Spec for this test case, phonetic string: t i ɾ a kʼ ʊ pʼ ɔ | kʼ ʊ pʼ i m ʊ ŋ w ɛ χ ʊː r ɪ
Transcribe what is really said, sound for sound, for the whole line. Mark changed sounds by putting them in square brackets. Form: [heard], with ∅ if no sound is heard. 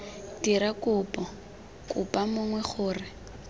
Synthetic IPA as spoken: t i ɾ a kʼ ʊ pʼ ɔ | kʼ ʊ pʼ [a] m ʊ ŋ w ɛ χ ʊː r ɪ